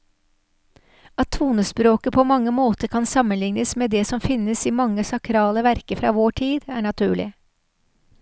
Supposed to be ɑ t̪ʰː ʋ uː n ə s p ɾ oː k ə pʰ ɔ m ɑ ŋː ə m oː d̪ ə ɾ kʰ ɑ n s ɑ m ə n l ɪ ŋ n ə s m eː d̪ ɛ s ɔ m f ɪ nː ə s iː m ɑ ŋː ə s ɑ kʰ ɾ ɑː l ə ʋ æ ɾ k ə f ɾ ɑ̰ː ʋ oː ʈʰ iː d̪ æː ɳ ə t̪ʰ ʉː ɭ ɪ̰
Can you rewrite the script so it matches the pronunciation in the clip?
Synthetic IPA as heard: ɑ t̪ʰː ʋ uː n ə s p ɾ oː k ə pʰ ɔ m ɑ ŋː ə m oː t̪ ə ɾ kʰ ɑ n s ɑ m ə n l ɪ ŋ n ə s m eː d̪ ɛ s ɔ m f ɪ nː ə s iː m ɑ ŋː ə s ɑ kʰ ɾ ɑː l ə ʋ æ ɾ k ə f ɾ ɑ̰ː ʋ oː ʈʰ iː d̪ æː ɳ ɑ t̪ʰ ʉː ɭ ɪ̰